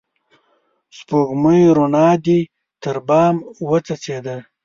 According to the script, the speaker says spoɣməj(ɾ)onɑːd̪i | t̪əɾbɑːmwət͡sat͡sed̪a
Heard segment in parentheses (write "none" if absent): ɾ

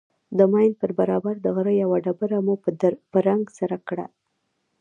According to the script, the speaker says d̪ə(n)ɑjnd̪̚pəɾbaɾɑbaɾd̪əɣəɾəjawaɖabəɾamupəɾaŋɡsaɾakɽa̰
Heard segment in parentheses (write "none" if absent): m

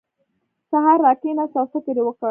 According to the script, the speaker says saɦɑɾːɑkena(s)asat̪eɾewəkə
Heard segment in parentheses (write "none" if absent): s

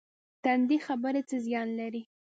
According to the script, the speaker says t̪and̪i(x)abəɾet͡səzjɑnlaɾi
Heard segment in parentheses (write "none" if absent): x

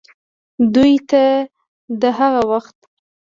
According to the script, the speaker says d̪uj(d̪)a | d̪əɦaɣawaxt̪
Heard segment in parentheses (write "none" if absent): t̪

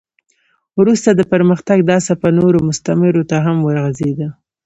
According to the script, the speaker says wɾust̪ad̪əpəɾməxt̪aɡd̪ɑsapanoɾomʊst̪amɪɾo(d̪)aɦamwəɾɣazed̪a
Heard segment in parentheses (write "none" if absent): t̪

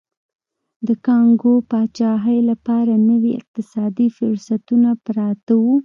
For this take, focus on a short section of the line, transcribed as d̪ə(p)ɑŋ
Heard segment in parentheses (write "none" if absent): k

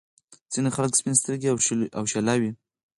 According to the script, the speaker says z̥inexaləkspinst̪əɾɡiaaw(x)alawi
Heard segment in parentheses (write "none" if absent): ʃ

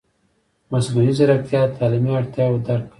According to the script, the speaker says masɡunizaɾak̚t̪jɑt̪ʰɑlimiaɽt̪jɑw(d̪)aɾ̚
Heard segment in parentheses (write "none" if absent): d̪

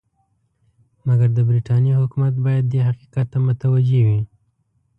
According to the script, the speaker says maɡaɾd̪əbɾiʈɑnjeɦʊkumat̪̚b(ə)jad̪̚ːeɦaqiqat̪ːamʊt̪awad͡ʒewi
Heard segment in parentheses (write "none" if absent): ɑ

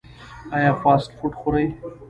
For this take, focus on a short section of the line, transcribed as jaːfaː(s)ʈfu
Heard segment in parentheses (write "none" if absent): s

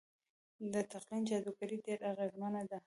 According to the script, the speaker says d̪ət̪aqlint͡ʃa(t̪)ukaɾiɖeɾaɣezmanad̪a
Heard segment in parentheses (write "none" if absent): d̪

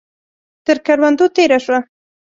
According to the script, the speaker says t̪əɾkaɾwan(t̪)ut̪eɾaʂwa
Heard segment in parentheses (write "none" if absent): d̪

